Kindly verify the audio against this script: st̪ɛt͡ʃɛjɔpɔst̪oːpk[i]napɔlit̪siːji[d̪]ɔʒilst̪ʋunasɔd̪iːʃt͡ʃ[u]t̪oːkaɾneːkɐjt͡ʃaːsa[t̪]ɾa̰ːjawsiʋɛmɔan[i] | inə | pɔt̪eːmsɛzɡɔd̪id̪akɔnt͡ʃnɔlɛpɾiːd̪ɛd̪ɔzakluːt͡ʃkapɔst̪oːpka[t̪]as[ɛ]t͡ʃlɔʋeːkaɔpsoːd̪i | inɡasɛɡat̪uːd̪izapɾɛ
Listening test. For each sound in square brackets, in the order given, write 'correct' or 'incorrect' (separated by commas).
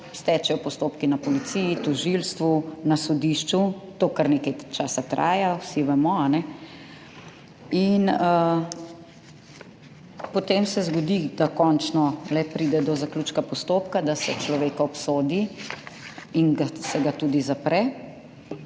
correct, incorrect, correct, correct, incorrect, incorrect, correct